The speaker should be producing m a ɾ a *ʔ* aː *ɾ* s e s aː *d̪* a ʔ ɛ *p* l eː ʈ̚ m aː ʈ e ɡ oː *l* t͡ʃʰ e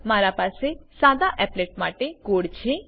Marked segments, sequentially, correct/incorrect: incorrect: p, incorrect: none, correct, correct, incorrect: ɽ

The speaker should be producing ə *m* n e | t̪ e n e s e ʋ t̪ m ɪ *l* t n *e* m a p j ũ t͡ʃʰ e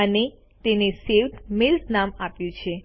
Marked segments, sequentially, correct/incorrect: incorrect: none, correct, incorrect: a

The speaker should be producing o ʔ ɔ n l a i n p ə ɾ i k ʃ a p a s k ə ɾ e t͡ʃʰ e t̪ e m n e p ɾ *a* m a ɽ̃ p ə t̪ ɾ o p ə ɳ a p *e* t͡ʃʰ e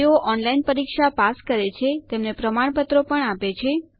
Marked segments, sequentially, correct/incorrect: incorrect: ə, correct

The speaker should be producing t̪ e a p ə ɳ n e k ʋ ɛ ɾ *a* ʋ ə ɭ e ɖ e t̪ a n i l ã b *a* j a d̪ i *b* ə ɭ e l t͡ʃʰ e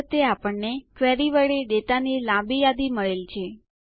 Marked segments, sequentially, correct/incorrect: incorrect: i, incorrect: i, incorrect: m

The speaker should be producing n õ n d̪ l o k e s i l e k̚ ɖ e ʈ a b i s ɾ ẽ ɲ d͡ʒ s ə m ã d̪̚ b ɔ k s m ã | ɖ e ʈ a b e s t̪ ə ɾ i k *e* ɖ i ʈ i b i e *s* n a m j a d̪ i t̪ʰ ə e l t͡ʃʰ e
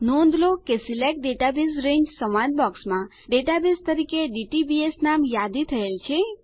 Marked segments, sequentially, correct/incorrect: correct, correct

